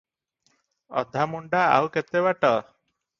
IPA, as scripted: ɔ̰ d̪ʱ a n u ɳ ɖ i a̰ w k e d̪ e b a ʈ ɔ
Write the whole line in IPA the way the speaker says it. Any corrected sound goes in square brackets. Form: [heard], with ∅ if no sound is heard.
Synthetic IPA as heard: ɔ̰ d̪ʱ a [m] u ɳ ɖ [a] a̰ w k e [t̪] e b a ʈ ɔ